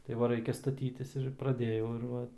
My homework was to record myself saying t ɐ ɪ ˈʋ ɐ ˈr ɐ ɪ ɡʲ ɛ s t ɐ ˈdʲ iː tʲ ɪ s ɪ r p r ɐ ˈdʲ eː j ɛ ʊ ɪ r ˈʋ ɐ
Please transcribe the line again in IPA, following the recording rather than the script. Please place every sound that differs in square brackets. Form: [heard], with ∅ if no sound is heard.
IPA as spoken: t ɐ ɪ ˈʋ ɐ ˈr ɐ ɪ [kʲ] ɛ s t ɐ [ˈtʲ] iː tʲ ɪ s ɪ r p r ɐ ˈdʲ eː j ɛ ʊ ɪ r ˈʋ ɐ